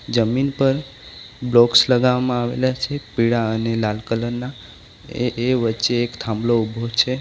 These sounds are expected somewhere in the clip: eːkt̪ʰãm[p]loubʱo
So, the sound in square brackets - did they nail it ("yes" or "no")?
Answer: no